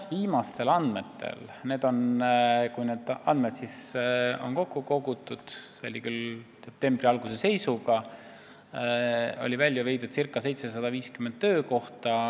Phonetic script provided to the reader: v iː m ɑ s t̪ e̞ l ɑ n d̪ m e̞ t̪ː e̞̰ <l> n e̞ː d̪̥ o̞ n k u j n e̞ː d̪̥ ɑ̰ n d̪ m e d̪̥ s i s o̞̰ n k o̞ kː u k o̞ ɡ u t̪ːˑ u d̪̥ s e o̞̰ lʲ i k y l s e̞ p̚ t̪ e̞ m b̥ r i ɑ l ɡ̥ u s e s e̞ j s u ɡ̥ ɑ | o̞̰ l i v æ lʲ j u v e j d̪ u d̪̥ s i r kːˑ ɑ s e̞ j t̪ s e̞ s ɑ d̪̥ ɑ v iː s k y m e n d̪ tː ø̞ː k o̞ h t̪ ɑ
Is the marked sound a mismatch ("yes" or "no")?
no